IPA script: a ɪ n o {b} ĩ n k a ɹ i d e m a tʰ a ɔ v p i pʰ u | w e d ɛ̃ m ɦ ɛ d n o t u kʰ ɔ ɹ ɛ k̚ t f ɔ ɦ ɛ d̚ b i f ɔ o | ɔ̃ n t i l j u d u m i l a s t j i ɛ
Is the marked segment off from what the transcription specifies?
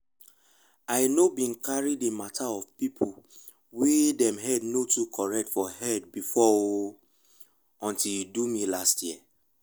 no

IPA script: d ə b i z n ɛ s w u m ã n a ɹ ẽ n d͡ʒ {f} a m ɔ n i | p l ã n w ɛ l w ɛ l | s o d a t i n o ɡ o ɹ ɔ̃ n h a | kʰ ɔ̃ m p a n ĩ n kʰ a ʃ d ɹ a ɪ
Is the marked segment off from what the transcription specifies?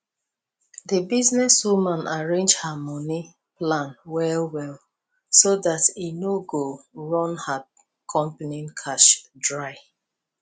yes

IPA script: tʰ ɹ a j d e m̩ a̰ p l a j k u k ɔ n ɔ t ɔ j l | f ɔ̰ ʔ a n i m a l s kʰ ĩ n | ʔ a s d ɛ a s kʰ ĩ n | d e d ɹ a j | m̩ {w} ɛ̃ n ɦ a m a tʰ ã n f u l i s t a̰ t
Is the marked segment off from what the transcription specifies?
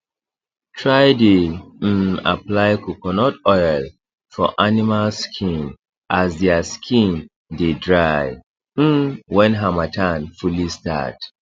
no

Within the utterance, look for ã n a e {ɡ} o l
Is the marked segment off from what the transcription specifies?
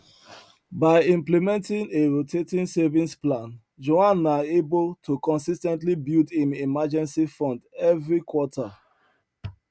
yes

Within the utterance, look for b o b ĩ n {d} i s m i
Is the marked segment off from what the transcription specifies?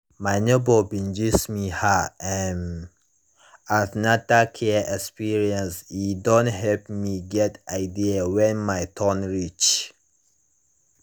yes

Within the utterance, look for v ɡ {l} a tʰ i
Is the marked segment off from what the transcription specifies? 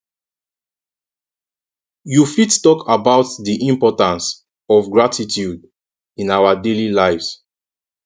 yes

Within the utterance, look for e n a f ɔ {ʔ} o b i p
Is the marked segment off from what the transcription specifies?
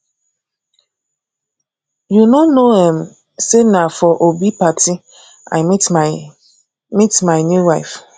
no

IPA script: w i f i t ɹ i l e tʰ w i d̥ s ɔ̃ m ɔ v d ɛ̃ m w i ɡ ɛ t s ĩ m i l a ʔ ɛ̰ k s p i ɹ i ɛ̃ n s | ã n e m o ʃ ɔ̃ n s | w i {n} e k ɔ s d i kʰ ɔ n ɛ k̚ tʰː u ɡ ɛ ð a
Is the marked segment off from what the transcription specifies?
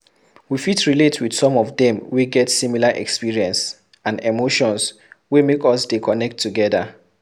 yes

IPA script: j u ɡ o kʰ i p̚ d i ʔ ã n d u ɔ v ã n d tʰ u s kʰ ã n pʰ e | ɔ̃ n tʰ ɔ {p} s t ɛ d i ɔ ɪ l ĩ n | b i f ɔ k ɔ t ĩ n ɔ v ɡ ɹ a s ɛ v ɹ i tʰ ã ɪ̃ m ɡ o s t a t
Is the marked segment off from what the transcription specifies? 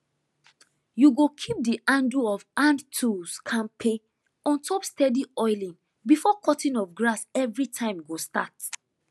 no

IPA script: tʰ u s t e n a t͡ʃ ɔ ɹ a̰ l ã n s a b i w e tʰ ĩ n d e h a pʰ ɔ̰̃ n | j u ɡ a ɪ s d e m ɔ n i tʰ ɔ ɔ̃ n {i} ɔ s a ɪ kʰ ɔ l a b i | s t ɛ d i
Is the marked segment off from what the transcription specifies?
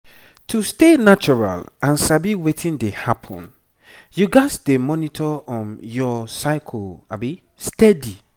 yes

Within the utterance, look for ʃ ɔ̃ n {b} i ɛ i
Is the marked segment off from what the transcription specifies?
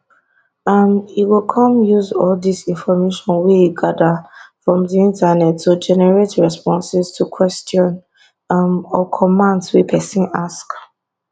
yes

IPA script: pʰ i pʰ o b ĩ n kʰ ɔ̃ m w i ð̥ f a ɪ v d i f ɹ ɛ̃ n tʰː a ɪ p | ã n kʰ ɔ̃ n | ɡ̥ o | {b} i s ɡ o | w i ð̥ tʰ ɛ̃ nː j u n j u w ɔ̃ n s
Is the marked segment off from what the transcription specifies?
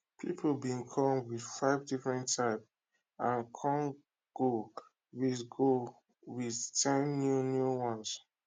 yes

